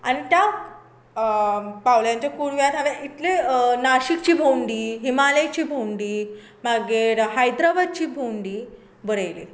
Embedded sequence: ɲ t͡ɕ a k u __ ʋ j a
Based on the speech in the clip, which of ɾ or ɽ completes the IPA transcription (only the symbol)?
ɽ